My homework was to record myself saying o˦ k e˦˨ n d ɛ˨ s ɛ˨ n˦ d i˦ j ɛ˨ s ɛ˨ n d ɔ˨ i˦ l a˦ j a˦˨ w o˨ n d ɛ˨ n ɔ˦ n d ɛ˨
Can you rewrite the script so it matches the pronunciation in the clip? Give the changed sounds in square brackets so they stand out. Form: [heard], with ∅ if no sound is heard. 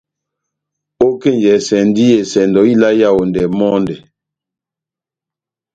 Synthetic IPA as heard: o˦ k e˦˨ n [d͡ʒ] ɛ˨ s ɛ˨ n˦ d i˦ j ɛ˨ s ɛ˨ n d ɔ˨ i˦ l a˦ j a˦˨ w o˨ n d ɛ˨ [m] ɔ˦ n d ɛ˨